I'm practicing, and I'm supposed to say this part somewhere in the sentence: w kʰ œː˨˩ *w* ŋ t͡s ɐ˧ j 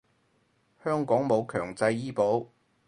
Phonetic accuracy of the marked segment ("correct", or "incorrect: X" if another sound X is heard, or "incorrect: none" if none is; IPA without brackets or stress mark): incorrect: none